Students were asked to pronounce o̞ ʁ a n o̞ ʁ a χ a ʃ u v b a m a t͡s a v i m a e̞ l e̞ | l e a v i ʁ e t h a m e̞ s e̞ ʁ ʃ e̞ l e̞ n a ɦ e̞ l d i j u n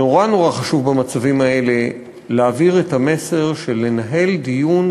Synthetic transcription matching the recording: o̞ ʁ a n o̞ ʁ a χ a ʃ u v b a m a t͡s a v i m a e̞ l e̞ | l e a v i ʁ e t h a m e̞ s e̞ ʁ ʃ e̞ l e̞ n a ɦ e̞ l d i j u n